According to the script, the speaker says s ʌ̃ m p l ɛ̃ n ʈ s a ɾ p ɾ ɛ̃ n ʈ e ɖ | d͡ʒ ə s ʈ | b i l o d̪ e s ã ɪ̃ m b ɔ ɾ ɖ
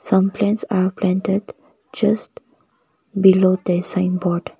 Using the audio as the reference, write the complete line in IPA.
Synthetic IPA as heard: s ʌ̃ m p l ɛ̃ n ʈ s a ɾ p l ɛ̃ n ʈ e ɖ | d͡ʒ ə s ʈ | b i l o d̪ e s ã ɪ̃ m b ɔ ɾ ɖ